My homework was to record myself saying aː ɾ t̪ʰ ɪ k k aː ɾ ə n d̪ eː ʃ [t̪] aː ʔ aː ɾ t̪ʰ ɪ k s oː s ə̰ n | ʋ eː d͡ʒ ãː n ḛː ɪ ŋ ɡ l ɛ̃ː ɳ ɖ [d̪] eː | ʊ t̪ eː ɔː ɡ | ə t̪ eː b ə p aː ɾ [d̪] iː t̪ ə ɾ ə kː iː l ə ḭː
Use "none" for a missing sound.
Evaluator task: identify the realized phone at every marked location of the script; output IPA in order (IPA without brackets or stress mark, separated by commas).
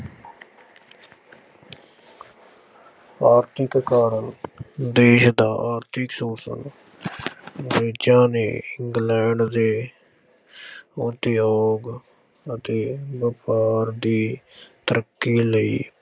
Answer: d̪, d̪, d̪